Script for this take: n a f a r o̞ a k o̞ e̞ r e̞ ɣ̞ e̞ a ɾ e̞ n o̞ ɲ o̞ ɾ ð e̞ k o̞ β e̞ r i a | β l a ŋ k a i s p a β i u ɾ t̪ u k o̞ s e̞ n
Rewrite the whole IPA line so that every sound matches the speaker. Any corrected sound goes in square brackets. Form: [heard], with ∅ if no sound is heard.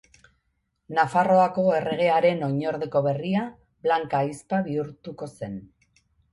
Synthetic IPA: n a f a r o̞ a k o̞ e̞ r e̞ ɣ̞ e̞ a ɾ e̞ n o̞ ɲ o̞ ɾ ð e̞ k o̞ β e̞ r i a | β l a ŋ k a i s p a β i u ɾ t̪ u k o̞ s e̞ n

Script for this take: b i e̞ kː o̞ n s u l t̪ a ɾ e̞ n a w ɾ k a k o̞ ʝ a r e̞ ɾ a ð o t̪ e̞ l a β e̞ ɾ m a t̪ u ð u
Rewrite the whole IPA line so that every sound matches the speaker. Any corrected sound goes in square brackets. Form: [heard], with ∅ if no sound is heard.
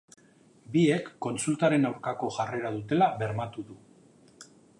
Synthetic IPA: b i e̞ kː o̞ n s u l t̪ a ɾ e̞ n a w ɾ k a k o̞ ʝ a r e̞ ɾ a ð [u] t̪ e̞ l a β e̞ ɾ m a t̪ u ð u

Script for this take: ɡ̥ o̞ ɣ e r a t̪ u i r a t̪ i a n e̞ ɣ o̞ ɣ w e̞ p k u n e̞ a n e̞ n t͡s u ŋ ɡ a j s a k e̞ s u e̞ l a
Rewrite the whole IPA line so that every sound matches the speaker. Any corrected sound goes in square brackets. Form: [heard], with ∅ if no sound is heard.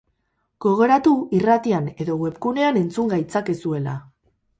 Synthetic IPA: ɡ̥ o̞ ɣ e [ɾ] a t̪ u i r a t̪ i a n e̞ [ð] o̞ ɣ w e̞ p k u n e̞ a n e̞ n t͡s u ŋ ɡ a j [t͡s] a k e̞ s u e̞ l a

